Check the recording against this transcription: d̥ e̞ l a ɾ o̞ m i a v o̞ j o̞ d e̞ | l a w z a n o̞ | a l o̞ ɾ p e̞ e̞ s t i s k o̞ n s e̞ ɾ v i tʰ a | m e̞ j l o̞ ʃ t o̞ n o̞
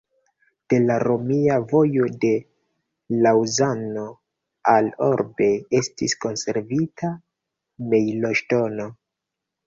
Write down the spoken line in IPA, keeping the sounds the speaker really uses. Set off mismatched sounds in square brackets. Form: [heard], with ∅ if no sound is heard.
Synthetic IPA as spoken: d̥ e̞ l a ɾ o̞ m i a v o̞ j o̞ d e̞ | l a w z a n o̞ | a l o̞ ɾ [b] e̞ e̞ s t i s k o̞ n s e̞ ɾ v i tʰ a | m e̞ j l o̞ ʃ t o̞ n o̞